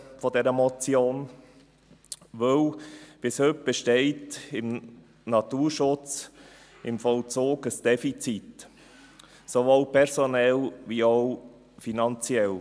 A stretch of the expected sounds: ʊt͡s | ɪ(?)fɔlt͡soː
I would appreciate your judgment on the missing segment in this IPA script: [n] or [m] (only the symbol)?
m